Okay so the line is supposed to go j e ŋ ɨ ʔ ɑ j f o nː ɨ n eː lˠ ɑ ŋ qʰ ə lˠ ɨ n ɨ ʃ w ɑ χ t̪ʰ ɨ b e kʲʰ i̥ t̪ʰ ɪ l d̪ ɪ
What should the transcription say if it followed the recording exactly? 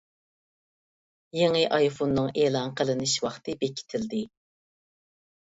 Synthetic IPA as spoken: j e ŋ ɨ ʔ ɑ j f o nː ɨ ŋ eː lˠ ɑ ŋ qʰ ə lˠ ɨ n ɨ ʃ w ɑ χ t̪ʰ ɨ b e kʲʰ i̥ t̪ʰ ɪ l d̪ ɪ